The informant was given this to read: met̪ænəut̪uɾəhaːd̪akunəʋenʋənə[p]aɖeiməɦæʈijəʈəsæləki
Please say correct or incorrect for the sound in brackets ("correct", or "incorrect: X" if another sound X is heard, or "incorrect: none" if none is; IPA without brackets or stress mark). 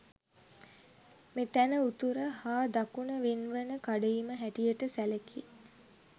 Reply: incorrect: k